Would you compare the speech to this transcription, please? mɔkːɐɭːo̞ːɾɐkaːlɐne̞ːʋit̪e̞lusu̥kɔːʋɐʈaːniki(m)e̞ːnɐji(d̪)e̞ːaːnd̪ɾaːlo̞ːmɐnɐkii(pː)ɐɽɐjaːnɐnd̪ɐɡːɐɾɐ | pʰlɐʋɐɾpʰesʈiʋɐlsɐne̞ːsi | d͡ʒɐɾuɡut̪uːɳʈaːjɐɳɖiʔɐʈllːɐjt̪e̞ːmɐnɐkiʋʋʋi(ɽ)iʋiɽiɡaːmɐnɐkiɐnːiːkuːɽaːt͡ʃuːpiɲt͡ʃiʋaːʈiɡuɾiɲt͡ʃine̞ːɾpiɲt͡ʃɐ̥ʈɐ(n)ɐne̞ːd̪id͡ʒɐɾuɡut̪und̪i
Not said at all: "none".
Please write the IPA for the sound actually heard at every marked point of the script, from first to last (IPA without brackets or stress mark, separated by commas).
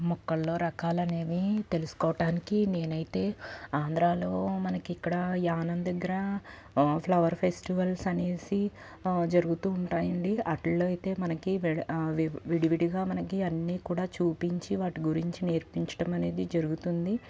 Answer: n, t̪, kː, ɽ, m